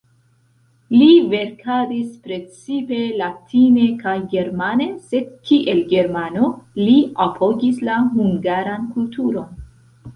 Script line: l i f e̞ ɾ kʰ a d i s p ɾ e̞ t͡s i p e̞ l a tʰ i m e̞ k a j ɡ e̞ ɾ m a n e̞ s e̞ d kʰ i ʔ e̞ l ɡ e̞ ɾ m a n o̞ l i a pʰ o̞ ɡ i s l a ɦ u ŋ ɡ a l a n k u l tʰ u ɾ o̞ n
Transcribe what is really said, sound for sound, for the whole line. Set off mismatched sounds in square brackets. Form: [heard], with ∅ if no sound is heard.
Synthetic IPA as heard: l i [v] e̞ ɾ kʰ a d i s p ɾ e̞ t͡s i p e̞ l a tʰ i [n] e̞ k a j ɡ e̞ ɾ m a n e̞ s e̞ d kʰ i ʔ e̞ l ɡ e̞ ɾ m a n o̞ l i a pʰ o̞ ɡ i s l a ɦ u ŋ ɡ a [ɾ] a n k u l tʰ u ɾ o̞ n